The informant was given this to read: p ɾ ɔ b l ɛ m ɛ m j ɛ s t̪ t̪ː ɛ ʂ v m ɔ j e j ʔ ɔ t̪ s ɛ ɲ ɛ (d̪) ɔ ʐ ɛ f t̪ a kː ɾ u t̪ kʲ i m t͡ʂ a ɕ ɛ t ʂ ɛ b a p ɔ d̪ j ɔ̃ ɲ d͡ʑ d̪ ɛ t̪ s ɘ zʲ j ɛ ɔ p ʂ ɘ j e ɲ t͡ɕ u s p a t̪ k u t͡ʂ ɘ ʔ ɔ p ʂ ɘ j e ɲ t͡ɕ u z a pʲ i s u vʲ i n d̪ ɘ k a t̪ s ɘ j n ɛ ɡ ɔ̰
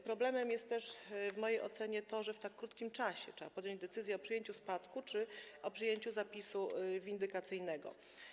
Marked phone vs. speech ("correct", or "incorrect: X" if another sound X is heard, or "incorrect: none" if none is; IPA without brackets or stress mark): incorrect: t̪